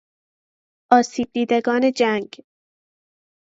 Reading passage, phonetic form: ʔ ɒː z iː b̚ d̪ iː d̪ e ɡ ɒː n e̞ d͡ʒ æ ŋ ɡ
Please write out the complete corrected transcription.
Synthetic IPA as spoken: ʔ ɒː s iː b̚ d̪ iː d̪ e ɡ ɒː n e̞ d͡ʒ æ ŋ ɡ